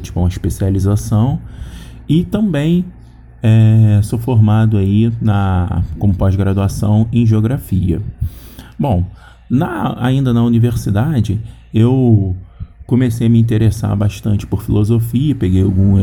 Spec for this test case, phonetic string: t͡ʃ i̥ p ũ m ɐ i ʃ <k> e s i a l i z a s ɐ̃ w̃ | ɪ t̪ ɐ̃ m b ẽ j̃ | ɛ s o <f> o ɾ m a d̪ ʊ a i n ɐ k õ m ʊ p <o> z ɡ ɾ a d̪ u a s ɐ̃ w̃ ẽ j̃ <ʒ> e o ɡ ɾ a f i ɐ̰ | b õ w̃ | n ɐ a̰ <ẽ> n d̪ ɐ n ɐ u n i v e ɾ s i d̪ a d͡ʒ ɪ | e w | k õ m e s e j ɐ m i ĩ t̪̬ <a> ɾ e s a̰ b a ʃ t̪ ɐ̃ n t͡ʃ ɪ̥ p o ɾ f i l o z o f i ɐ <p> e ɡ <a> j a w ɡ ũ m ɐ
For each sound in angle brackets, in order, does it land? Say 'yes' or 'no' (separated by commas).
no, yes, no, yes, no, no, yes, no